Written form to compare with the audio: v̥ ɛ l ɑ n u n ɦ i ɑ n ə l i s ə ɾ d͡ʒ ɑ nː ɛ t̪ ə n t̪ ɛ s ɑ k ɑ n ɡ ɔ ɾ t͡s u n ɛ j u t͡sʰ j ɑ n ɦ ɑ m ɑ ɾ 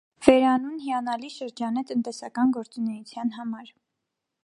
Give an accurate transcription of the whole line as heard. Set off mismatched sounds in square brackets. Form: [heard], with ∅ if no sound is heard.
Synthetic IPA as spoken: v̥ ɛ [ɾ] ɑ n u n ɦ i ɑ n [ɑ] l i [ʃ] ə ɾ d͡ʒ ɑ [n] ɛ t̪ ə n t̪ ɛ s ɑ k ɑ n ɡ ɔ ɾ t͡s u n ɛ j u t͡sʰ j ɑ n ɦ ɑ m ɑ ɾ